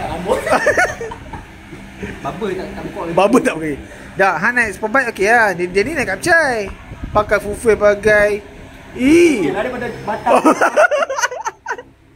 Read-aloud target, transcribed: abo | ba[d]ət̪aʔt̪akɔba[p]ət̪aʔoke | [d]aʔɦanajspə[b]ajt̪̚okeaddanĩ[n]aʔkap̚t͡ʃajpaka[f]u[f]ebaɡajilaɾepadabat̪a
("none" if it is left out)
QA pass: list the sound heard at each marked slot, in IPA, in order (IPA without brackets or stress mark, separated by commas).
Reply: b, b, d, b, n, f, f